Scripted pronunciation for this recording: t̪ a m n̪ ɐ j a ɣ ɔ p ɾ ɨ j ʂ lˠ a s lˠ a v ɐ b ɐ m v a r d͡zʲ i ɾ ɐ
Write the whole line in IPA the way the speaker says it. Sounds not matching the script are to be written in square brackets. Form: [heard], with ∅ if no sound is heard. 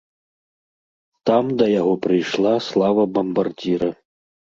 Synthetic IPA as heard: t̪ a m [d̪] ɐ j a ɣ ɔ p ɾ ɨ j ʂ lˠ a s lˠ a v ɐ b ɐ m [b] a r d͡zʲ i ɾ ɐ